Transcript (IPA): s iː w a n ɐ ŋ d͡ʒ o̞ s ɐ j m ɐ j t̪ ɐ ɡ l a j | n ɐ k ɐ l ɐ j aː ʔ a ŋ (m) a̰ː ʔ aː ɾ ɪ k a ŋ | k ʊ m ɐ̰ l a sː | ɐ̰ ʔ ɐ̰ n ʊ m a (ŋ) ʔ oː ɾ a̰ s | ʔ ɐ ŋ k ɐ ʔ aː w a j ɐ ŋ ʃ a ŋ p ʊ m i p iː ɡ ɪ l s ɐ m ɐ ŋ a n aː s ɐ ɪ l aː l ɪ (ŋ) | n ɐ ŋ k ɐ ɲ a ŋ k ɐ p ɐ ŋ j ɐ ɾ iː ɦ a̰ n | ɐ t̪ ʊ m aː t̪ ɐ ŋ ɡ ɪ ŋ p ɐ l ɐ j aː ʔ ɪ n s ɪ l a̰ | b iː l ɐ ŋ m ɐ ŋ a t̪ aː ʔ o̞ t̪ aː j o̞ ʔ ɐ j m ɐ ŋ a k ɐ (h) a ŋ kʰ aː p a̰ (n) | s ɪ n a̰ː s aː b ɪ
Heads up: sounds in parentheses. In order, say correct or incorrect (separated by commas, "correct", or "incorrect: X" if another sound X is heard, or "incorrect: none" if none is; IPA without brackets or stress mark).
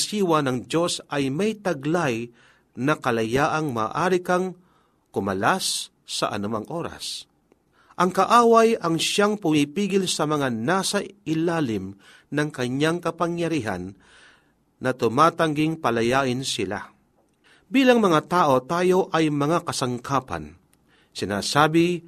correct, correct, incorrect: m, incorrect: s, correct